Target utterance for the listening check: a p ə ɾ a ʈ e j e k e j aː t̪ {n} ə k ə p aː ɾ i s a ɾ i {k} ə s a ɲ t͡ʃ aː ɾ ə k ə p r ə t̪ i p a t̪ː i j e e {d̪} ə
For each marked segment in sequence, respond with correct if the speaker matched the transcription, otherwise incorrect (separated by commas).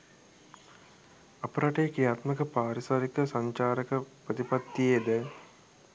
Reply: incorrect, correct, correct